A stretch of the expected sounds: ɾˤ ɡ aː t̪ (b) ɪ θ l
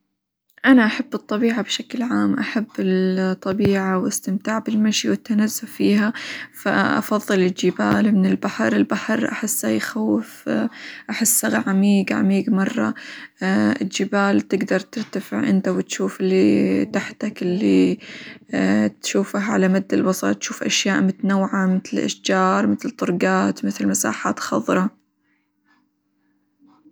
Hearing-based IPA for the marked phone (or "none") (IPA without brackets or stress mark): m